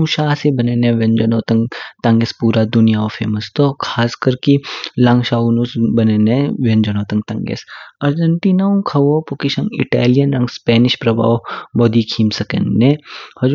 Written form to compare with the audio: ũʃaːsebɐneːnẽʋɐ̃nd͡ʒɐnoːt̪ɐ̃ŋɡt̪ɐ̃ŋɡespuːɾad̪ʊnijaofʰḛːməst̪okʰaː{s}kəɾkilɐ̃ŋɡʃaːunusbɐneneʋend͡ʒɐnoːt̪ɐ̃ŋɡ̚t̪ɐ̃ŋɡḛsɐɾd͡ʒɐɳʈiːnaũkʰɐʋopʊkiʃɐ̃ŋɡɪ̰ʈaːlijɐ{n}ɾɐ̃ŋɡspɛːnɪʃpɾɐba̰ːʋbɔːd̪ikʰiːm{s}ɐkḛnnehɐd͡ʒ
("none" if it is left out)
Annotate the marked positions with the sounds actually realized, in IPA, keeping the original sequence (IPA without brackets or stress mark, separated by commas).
s, n, s